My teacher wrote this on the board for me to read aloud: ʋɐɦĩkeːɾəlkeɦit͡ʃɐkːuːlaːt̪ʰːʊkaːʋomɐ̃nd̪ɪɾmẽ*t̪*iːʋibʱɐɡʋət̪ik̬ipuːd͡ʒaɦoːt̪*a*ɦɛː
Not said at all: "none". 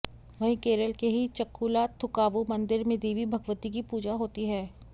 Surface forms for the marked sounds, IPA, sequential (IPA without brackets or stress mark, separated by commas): d̪, i